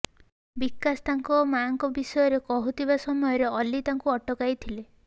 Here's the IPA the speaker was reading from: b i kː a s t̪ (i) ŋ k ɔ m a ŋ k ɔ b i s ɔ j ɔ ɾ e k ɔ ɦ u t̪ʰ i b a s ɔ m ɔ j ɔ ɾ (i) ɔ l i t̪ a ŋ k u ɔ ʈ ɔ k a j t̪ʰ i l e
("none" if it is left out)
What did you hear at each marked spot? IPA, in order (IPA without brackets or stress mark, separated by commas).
a, e